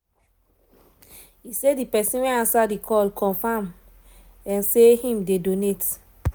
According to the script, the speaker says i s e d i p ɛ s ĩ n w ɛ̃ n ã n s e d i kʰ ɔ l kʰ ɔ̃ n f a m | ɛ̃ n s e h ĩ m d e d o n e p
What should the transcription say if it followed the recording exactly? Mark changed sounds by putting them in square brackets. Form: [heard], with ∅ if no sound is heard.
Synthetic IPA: i s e d i p ɛ s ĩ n w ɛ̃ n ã n s [a] d i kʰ ɔ l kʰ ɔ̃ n f a m | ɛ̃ n s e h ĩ m d e d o n e [t]